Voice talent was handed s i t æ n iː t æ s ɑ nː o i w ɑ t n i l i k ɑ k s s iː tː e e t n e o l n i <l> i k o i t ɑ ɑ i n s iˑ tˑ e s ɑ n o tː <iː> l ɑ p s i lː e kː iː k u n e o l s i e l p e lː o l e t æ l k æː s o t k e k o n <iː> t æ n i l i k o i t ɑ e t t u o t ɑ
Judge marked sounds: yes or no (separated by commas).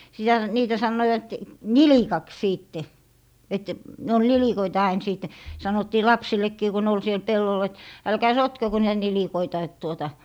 yes, yes, yes